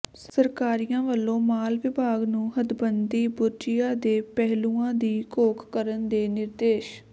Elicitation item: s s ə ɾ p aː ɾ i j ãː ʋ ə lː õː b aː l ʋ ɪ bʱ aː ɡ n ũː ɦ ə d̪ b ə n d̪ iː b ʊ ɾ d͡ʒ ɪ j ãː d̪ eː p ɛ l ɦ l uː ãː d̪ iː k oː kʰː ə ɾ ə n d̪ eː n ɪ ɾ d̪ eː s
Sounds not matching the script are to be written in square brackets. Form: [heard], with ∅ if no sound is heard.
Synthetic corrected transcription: s s ə ɾ [k] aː ɾ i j ãː ʋ ə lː õː [m] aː l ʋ ɪ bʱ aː ɡ n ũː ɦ ə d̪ b ə n d̪ iː b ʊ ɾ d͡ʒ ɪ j [aː] d̪ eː p ɛ [∅] ɦ l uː ãː d̪ iː k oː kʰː ə ɾ ə n d̪ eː n ɪ ɾ d̪ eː [ʃ]